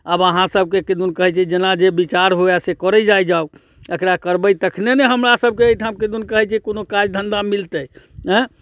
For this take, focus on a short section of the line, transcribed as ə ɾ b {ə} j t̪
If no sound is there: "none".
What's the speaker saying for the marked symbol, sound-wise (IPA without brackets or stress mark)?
ə